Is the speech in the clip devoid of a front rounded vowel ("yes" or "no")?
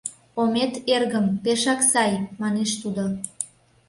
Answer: yes